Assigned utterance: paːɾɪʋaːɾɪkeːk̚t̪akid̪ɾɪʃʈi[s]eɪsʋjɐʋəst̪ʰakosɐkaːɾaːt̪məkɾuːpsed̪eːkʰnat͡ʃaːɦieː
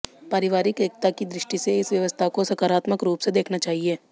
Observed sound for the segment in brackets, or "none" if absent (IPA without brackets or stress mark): s